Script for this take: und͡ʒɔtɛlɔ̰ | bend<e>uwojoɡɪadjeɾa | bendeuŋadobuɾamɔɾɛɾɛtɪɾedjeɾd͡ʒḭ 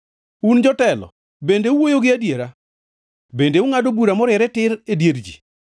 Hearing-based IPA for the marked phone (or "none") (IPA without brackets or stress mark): e